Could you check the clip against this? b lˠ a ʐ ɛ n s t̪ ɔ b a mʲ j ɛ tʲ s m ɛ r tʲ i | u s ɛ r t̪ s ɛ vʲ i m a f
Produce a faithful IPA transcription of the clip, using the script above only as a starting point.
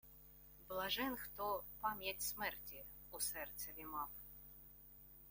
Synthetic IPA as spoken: b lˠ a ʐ ɛ n x t̪ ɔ p a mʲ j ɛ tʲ s m ɛ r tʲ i | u s ɛ r t̪ s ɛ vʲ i m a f